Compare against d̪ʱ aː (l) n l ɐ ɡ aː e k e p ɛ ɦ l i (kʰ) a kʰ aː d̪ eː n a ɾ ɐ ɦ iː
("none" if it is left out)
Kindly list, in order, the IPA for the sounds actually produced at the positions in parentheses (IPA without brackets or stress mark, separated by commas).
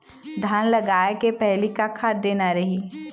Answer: none, k